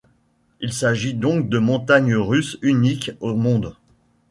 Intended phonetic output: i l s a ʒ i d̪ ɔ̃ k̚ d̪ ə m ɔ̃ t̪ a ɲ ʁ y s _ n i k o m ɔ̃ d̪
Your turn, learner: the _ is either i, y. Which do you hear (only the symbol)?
y